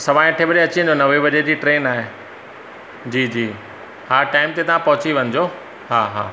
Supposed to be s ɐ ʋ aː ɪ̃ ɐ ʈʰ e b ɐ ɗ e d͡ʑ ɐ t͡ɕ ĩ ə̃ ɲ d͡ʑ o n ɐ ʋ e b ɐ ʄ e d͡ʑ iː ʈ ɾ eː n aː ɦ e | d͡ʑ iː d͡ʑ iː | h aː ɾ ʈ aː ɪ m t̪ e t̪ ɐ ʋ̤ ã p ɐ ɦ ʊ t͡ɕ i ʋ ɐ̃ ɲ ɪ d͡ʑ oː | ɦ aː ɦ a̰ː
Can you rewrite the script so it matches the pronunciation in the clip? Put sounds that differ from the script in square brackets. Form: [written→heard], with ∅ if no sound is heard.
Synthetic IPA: s ɐ ʋ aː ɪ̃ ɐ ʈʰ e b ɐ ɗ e [d͡ʑ→∅] ɐ t͡ɕ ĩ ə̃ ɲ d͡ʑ o n ɐ ʋ e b ɐ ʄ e d͡ʑ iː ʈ ɾ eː n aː ɦ e | d͡ʑ iː d͡ʑ iː | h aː ɾ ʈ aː ɪ m t̪ e t̪ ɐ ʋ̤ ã p ɐ ɦ ʊ t͡ɕ i ʋ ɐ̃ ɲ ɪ d͡ʑ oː | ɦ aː ɦ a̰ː